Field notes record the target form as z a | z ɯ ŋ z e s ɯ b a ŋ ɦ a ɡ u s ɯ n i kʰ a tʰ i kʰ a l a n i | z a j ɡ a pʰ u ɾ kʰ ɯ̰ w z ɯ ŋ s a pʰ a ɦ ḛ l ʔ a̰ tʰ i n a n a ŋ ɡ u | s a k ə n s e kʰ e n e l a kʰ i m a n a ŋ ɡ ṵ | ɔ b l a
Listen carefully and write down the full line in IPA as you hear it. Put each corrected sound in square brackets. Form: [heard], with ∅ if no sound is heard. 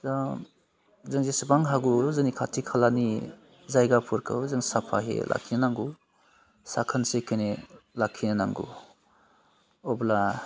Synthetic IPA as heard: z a | z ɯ ŋ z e s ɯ b a ŋ ɦ a ɡ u [z] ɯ n i kʰ a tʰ i kʰ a l a n i | z a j ɡ a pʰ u ɾ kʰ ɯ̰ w z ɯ ŋ s a pʰ a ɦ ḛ l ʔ a̰ [kʰ] i n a n a ŋ ɡ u | s a [kʰ] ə n s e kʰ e n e l a kʰ i [n] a n a ŋ ɡ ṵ | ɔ b l a